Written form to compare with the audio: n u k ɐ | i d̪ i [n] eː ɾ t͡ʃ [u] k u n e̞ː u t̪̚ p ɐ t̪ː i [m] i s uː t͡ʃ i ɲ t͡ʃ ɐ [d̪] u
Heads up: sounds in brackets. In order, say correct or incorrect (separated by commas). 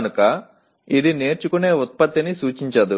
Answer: correct, correct, incorrect, correct